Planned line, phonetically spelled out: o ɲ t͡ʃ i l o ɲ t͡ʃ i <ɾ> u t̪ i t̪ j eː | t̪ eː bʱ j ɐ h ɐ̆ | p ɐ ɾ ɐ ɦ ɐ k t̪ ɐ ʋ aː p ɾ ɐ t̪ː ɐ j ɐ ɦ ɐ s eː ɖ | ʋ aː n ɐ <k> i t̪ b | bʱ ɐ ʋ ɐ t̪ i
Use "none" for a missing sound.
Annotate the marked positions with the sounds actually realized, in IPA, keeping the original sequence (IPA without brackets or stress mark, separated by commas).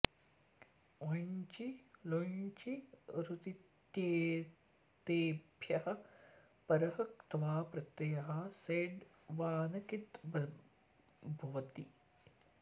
ɾ, k